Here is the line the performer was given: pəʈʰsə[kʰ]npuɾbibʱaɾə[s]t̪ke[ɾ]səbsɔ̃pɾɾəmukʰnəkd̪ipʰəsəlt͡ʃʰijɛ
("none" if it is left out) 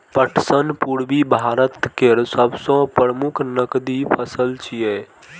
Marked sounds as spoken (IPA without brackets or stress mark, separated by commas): none, none, ɾ